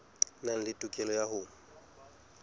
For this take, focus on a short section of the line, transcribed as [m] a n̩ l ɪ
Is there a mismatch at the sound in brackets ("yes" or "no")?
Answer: yes